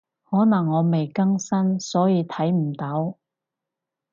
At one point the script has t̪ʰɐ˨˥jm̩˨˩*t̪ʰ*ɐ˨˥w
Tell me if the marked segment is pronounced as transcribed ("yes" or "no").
no